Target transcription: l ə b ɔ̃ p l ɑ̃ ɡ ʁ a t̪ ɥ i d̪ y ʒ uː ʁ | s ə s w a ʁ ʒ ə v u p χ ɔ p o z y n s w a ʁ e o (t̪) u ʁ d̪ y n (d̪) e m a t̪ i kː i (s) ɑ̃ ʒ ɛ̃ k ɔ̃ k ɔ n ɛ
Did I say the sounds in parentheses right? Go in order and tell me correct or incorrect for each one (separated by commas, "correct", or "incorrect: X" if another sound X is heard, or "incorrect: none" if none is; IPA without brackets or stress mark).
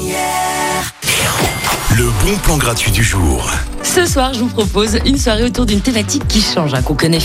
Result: correct, incorrect: t̪, incorrect: ʃ